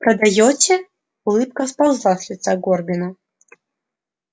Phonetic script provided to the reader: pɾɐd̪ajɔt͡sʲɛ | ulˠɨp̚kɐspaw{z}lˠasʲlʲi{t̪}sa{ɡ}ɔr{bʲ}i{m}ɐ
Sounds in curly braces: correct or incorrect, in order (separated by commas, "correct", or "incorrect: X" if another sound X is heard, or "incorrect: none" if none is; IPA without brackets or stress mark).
correct, correct, correct, correct, incorrect: n